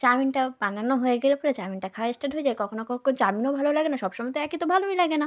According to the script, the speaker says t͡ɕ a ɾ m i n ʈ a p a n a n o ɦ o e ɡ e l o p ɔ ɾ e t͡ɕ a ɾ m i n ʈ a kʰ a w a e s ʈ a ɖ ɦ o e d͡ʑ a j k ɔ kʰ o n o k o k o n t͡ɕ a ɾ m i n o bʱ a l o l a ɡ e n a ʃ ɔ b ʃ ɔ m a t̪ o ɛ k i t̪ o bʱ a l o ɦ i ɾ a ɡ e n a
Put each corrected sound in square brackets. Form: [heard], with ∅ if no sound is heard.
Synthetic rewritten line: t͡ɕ a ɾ m i n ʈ a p a n a n o ɦ o e ɡ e l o p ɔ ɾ e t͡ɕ a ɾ m i n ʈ a kʰ a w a e s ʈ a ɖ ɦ o e d͡ʑ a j k ɔ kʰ o n o k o k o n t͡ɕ a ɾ m i n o bʱ a l o l a ɡ e n a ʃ ɔ b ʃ ɔ m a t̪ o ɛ k i t̪ o bʱ a l o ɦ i [l] a ɡ e n a

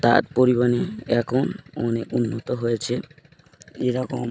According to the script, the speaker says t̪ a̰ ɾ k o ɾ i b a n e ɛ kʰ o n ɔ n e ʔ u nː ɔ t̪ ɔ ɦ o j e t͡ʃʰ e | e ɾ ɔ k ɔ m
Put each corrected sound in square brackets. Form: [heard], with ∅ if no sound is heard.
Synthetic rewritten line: t̪ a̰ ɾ [p] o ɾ i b a n e ɛ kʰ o n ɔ n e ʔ u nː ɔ t̪ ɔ ɦ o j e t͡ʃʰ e | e ɾ ɔ k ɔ m

